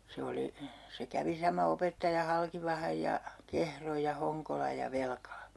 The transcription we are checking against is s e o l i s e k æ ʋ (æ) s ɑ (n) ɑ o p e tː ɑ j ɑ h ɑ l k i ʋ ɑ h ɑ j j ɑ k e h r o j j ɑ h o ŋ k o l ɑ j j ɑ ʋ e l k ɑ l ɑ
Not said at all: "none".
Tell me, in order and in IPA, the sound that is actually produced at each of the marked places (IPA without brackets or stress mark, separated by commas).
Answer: i, m